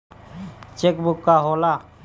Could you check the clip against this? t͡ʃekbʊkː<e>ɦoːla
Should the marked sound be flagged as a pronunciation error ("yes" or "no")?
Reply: yes